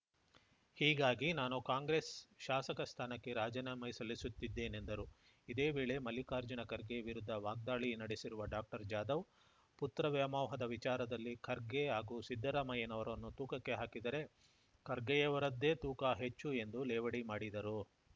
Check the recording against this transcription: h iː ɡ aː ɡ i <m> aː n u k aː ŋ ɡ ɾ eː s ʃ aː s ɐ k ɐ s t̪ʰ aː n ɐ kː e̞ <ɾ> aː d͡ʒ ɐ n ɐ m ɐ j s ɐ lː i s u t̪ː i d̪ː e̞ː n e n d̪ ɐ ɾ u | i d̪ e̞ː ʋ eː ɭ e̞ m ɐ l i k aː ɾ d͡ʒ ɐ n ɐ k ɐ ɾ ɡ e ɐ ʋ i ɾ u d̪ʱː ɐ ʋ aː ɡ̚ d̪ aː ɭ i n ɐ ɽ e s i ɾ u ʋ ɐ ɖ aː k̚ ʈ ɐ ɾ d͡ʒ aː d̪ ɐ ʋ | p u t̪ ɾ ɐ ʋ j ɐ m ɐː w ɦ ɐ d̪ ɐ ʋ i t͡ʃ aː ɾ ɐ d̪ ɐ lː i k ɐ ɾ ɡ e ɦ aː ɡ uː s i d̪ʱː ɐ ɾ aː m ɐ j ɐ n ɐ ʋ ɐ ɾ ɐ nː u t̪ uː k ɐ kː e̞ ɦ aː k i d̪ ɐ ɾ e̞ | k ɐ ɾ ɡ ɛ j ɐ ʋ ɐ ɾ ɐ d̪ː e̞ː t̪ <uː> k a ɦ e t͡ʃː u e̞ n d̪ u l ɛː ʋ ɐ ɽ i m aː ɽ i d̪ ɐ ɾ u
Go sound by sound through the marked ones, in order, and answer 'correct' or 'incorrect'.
incorrect: n, correct, correct

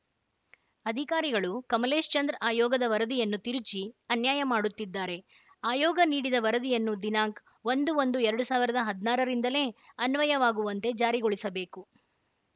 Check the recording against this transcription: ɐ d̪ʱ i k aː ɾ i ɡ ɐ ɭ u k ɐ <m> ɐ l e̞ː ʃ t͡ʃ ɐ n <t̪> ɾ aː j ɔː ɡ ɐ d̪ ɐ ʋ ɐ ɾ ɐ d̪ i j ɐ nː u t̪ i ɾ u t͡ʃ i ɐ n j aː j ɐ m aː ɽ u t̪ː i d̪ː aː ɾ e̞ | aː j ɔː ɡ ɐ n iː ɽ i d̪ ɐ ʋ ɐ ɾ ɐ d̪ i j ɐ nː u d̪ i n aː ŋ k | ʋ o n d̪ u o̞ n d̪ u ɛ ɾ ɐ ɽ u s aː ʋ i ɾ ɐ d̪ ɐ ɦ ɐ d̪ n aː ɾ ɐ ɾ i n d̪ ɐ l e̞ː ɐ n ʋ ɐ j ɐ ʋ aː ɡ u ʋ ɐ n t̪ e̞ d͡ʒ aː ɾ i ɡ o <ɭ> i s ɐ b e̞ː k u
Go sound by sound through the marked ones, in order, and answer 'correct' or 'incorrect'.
correct, incorrect: d̪, correct

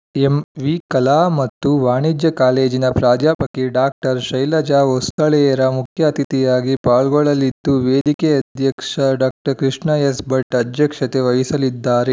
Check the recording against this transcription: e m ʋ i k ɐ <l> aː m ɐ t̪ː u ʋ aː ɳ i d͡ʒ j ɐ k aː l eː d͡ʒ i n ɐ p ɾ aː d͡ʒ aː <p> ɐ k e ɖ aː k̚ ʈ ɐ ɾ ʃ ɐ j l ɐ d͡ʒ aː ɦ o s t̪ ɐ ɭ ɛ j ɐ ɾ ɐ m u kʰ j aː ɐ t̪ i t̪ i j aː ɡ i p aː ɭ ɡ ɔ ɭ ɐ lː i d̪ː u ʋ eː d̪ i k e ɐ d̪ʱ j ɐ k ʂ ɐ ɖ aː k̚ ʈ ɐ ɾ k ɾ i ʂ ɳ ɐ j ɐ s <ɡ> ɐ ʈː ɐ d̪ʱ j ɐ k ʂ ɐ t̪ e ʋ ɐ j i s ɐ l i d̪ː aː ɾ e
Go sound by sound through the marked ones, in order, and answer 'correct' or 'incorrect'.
correct, correct, incorrect: b

